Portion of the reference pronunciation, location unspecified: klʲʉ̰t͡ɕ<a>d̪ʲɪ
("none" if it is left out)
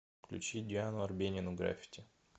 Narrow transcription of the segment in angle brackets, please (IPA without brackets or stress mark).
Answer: i